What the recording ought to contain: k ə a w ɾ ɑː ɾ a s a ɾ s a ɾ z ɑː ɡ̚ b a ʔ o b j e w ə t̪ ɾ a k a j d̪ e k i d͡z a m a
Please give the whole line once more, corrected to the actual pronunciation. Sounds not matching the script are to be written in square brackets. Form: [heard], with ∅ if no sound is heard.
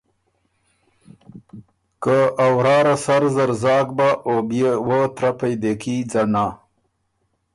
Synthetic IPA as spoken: k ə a w ɾ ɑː ɾ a s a ɾ [z] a ɾ z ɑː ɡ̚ b a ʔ o b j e w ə t̪ ɾ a [p] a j d̪ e k i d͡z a [n] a